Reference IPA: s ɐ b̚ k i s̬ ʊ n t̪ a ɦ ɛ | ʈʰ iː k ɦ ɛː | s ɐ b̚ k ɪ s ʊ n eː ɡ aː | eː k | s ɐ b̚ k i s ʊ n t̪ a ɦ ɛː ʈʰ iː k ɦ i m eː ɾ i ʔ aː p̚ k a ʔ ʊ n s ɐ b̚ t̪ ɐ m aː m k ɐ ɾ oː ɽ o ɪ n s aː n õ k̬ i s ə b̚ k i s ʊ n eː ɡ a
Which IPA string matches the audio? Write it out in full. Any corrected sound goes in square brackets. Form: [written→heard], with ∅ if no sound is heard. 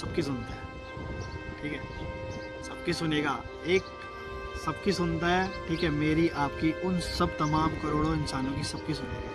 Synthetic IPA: s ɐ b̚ k i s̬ ʊ n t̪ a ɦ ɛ | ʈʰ iː k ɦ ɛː | s ɐ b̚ k [ɪ→i] s ʊ n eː ɡ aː | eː k | s ɐ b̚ k i s ʊ n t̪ a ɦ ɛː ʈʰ iː k ɦ [i→ɛ] m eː ɾ i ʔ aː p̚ k [a→i] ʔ ʊ n s ɐ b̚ t̪ ɐ m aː m k ɐ ɾ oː ɽ o ɪ n s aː n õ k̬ i s [ə→ɐ] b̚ k i s ʊ n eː ɡ a

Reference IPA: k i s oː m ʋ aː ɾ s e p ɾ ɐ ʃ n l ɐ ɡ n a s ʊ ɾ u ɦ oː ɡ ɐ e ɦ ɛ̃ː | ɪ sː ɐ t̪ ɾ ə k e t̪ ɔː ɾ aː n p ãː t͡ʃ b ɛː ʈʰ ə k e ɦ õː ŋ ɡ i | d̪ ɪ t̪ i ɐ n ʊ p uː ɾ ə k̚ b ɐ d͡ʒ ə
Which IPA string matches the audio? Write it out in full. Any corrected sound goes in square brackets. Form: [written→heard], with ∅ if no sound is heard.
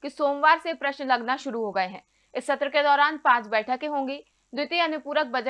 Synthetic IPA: k i s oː m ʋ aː ɾ s e p ɾ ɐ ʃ n l ɐ ɡ n a [s→ʃ] ʊ ɾ u ɦ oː ɡ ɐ e ɦ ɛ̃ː | ɪ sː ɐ t̪ ɾ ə k e [t̪→d̪] ɔː ɾ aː n p ãː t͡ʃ b ɛː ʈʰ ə k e ɦ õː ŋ ɡ i | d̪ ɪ t̪ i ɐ n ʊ p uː ɾ ə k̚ b ɐ d͡ʒ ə

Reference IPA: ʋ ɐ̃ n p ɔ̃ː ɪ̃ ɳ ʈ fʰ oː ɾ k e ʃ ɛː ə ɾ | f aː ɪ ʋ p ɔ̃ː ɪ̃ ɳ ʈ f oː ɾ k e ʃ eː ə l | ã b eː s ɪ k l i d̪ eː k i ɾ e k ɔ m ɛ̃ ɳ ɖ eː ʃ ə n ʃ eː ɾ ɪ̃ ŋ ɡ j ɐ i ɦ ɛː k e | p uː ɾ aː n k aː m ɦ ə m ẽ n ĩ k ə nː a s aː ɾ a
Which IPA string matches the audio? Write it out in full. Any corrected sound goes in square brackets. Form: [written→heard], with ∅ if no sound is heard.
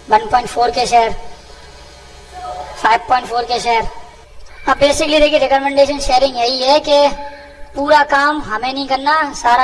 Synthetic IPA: ʋ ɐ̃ n p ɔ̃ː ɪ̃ ɳ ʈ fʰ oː ɾ k e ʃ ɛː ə ɾ | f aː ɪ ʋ p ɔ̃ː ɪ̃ ɳ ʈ f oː ɾ k e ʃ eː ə [l→ɾ] | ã b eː s ɪ k l i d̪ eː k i ɾ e k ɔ m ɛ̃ ɳ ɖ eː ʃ ə n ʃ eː ɾ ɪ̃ ŋ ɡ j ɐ i ɦ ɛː k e | p uː ɾ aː [n→∅] k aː m ɦ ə m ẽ n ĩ k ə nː a s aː ɾ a

